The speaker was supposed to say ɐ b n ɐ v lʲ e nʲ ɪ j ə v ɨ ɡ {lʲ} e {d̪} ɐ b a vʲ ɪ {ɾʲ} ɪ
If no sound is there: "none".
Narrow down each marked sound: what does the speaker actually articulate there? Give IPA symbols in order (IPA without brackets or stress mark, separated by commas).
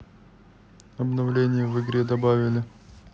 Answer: ɾʲ, d̪, lʲ